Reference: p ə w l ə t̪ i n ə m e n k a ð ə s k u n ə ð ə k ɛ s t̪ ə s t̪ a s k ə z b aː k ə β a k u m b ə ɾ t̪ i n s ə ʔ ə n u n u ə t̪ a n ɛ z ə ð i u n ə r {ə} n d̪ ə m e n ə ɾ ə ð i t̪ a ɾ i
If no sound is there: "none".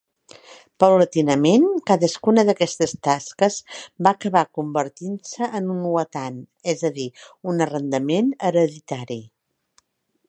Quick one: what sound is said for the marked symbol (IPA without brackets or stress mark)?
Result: ə